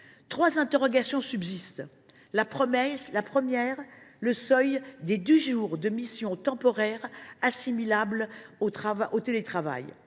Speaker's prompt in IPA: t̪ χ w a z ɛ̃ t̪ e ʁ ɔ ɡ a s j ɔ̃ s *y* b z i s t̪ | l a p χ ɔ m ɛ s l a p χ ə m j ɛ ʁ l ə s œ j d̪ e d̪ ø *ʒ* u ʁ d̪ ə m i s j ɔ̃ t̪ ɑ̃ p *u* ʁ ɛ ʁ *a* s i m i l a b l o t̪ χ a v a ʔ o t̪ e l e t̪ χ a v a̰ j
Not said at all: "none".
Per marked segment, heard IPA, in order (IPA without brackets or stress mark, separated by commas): y, ʒ, ɔ, a